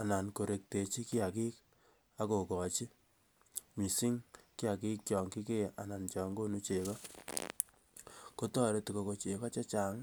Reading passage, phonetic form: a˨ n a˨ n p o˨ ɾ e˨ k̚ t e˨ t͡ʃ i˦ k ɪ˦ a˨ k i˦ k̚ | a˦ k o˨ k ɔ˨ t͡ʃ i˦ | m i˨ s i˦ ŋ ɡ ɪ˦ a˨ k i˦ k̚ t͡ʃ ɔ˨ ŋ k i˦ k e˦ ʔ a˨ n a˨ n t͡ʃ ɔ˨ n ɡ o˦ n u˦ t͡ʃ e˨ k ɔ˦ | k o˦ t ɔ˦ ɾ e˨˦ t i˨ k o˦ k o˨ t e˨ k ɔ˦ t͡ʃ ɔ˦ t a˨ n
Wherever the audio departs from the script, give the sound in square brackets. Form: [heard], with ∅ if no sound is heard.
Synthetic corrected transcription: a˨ n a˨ n [k] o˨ ɾ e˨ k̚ t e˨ t͡ʃ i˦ k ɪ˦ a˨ k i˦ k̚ | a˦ k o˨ k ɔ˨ t͡ʃ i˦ | m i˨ s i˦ ŋ [k] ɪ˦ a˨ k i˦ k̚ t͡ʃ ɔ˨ ŋ k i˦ k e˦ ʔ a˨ n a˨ n t͡ʃ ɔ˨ [ŋ] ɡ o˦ n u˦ t͡ʃ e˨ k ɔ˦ | k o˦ t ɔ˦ ɾ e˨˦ t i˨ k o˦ k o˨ [t͡ʃ] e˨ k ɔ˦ t͡ʃ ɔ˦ [t͡ʃ] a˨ [ŋ]